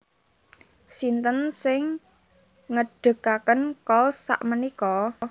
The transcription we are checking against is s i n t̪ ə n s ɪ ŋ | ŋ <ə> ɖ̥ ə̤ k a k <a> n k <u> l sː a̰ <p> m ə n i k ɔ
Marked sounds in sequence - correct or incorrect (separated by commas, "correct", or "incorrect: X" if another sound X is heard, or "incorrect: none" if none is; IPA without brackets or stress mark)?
correct, incorrect: ə, incorrect: ɔ, incorrect: ʔ